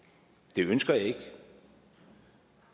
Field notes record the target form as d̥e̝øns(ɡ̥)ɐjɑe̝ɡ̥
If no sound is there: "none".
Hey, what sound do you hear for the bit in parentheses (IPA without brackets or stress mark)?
ɡ̥